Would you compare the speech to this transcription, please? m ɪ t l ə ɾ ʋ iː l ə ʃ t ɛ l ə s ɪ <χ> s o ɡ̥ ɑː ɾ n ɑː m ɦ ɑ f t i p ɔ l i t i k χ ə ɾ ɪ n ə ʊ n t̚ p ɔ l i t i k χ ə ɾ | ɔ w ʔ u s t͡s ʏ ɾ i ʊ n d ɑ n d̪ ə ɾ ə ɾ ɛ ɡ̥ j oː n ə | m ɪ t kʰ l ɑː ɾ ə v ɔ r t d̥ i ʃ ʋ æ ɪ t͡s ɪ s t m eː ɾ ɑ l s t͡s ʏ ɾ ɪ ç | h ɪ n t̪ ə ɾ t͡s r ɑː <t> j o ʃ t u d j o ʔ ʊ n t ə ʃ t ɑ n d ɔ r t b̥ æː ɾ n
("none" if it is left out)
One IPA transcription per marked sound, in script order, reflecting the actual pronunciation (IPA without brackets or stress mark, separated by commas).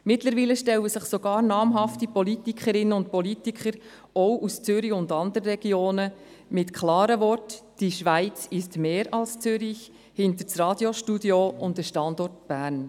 χ, d